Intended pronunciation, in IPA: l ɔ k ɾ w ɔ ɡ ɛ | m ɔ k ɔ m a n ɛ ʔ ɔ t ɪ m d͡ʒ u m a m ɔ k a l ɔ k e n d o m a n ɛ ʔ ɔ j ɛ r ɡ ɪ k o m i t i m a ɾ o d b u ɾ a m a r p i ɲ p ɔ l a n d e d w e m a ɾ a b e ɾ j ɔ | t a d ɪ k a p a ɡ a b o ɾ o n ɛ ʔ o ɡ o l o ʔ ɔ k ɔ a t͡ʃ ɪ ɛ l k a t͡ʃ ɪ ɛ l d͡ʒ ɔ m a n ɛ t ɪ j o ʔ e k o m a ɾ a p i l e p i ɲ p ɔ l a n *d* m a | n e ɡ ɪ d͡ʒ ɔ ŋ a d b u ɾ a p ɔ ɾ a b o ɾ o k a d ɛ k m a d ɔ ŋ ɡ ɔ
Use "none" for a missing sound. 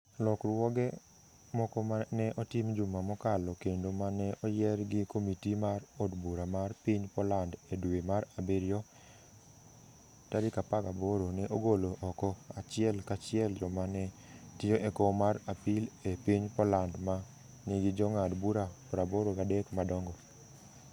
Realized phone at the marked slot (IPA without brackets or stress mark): d